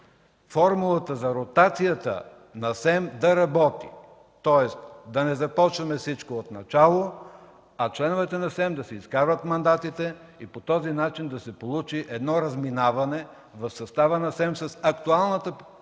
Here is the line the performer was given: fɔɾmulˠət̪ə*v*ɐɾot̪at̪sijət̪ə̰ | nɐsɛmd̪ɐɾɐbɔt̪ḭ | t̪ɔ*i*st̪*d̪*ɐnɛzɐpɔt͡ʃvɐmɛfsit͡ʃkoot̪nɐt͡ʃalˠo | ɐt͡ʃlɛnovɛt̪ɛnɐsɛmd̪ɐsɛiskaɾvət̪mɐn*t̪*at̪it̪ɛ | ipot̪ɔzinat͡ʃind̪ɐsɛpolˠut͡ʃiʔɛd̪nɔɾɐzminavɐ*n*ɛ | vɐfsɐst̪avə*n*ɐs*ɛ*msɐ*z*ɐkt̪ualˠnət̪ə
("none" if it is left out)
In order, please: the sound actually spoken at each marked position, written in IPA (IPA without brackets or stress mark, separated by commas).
z, ɛ, d̪, d̪, n, n, ɛ, s